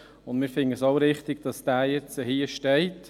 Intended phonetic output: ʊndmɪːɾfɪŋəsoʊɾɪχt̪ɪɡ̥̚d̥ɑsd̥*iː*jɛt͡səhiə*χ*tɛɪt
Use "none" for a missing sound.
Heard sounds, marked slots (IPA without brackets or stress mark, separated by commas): æː, ʃ